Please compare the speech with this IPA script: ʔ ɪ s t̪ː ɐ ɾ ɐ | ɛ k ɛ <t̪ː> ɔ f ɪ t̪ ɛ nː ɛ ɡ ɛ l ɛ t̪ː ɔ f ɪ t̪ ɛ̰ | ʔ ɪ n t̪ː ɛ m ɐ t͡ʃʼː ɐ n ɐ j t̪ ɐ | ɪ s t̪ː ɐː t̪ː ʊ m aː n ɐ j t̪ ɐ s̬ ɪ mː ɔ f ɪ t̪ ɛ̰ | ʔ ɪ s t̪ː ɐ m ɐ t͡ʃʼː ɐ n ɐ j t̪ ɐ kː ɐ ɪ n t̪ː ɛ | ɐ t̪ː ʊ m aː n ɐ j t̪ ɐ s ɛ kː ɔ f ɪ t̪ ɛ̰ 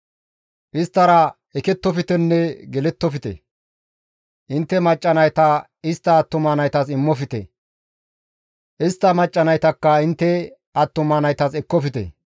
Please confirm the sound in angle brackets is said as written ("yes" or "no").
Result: yes